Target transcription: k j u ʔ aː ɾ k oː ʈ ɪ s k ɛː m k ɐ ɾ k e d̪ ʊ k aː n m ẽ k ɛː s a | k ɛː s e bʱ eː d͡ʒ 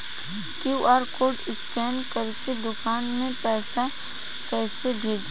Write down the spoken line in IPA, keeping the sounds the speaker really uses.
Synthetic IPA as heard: k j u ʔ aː ɾ k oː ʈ ɪ s k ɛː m k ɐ ɾ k e d̪ ʊ k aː n m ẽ p ɛː s a | k ɛː s e bʱ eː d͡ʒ